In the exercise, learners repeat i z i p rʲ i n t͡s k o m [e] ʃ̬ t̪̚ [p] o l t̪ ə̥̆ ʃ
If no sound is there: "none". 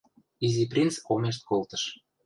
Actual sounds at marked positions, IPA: e, k

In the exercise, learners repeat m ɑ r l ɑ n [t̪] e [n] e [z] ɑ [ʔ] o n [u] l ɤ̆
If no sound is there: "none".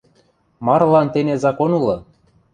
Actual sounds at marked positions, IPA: t̪, n, z, k, u

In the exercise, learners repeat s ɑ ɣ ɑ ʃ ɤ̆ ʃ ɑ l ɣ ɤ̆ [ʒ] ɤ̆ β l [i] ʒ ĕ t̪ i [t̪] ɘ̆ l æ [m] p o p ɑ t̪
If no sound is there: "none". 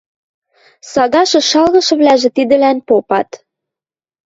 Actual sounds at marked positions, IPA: ʃ, æ, d̪, n

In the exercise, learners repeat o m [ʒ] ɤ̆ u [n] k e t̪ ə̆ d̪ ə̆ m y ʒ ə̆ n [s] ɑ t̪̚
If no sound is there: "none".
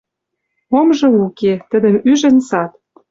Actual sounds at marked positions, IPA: ʒ, none, s

